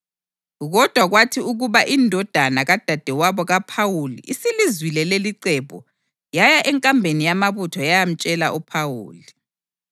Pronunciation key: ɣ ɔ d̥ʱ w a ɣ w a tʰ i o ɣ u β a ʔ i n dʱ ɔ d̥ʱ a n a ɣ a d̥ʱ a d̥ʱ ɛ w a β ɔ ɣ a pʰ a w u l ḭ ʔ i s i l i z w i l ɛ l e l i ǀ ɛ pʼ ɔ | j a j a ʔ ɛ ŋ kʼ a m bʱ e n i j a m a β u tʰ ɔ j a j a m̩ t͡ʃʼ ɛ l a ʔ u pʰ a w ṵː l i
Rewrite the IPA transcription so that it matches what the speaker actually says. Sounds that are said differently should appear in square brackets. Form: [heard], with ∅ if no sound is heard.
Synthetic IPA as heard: ɣ ɔ d̥ʱ w a ɣ w a tʰ i [u] ɣ u β a ʔ i n dʱ ɔ d̥ʱ a n a ɣ a d̥ʱ a d̥ʱ ɛ w a β ɔ ɣ a pʰ a w u l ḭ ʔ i s i l i z w i l ɛ l e l i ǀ ɛ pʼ ɔ | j a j a ʔ ɛ ŋ kʼ a m bʱ e n i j a m a β u tʰ ɔ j a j a m̩ t͡ʃʼ ɛ l a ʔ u pʰ a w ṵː l i